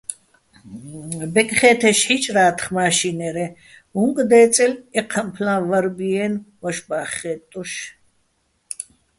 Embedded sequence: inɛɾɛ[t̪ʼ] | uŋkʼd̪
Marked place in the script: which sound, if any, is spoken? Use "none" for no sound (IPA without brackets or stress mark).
none